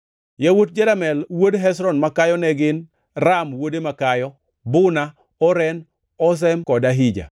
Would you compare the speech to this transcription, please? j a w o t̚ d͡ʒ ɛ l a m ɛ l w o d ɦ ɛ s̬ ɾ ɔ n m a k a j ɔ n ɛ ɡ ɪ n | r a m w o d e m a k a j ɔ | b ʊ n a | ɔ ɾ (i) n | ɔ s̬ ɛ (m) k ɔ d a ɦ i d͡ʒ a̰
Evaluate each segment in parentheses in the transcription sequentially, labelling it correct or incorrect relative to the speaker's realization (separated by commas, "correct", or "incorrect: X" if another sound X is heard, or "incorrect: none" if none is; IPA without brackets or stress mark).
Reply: incorrect: ɛ, correct